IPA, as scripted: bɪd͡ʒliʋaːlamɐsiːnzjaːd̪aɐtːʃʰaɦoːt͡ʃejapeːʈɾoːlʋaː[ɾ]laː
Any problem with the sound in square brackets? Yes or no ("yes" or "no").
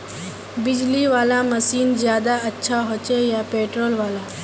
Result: yes